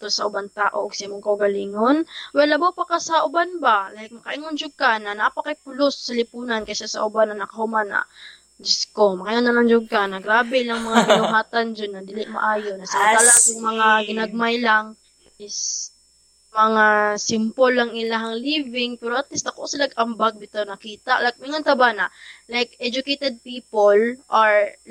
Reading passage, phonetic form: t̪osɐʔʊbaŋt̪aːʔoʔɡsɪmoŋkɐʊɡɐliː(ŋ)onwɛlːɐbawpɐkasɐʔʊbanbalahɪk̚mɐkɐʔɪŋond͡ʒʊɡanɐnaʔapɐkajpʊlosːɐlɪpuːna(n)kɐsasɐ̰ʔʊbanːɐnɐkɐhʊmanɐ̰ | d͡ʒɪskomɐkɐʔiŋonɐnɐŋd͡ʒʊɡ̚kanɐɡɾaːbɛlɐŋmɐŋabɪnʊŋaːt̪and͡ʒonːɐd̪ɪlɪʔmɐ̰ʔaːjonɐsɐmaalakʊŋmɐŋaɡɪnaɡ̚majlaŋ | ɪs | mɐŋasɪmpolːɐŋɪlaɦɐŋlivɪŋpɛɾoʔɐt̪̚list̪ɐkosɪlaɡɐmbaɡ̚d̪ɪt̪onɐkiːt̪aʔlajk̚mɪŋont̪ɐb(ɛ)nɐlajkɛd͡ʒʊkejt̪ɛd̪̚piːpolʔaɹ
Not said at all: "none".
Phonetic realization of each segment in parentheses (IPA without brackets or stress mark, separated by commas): ŋ, n, a